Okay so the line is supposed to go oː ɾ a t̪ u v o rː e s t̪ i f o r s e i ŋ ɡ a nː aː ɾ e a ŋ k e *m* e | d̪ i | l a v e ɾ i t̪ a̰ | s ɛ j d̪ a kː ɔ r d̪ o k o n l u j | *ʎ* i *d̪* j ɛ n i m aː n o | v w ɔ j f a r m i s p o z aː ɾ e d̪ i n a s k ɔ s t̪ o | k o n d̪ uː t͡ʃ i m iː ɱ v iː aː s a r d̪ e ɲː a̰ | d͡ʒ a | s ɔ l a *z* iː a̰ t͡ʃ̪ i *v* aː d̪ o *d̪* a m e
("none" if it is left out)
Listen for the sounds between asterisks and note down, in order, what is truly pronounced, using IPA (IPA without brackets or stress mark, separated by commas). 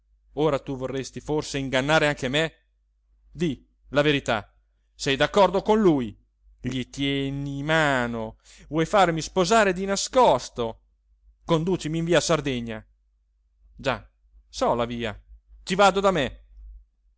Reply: m, ʎ, t̪, v, v, d̪